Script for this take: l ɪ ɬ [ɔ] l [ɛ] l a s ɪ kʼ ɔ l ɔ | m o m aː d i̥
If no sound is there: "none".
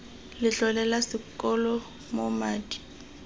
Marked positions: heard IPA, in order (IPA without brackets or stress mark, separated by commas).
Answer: ɔ, ɛ